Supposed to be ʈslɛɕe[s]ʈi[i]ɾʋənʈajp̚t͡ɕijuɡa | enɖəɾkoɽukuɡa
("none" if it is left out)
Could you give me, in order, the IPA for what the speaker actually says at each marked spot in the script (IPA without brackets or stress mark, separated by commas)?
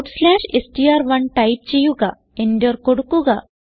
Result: s, a